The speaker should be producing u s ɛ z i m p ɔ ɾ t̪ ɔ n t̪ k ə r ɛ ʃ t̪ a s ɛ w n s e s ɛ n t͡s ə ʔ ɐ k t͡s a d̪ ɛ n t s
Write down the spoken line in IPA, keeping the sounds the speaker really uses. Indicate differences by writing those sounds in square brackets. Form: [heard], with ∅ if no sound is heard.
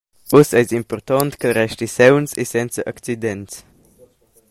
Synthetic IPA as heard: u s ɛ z i m p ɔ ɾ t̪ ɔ n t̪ k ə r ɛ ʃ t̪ [i] s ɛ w n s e s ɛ n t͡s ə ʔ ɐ k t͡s [i] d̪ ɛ n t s

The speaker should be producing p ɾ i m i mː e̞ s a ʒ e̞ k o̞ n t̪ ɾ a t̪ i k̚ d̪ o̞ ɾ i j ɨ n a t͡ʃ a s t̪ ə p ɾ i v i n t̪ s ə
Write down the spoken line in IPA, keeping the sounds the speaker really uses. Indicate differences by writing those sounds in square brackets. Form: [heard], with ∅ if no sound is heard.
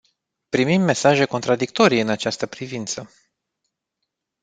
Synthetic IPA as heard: p ɾ i m i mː e̞ s a ʒ e̞ k o̞ n t̪ ɾ a [d̪] i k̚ [t̪] o̞ ɾ i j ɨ n a t͡ʃ a s t̪ ə p ɾ i v i n t̪ s ə

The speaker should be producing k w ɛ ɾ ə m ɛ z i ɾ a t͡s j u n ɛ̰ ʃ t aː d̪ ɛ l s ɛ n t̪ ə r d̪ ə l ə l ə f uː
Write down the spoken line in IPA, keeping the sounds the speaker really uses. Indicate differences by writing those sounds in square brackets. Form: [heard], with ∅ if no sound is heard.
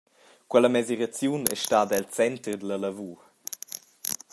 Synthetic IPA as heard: k w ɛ [l] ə m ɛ z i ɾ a t͡s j u n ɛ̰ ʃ t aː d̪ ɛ l [t͡s] ɛ n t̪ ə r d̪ ə l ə l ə [v] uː

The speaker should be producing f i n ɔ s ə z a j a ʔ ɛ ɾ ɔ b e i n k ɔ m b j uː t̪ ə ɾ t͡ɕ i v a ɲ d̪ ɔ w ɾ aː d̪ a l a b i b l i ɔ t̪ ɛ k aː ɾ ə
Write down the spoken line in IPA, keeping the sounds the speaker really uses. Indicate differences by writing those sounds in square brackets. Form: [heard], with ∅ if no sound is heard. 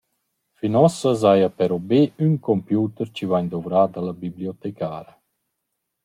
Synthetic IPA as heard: f i n ɔ s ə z a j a [p] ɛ ɾ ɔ b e [y] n k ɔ m [p] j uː t̪ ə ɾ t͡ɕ i v a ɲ d̪ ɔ [v] ɾ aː d̪ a l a b i b l i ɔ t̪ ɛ k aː ɾ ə

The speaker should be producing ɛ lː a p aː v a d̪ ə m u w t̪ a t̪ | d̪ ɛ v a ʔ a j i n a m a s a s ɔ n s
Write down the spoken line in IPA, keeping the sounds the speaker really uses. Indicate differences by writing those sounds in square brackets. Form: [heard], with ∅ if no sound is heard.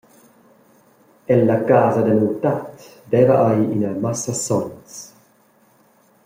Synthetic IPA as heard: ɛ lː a [k] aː [z] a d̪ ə [n] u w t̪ a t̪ | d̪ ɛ v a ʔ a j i n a m a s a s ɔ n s

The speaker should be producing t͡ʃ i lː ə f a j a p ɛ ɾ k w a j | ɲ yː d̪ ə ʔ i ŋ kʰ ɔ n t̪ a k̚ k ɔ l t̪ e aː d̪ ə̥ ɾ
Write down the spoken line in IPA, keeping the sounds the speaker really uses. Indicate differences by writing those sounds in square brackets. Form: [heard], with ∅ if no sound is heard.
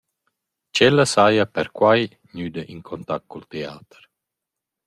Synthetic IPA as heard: t͡ʃ [ɛ] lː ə [s] a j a p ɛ ɾ k w a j | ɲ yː d̪ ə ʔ i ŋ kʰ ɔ n t̪ a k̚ k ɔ l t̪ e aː [t̪] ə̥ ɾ

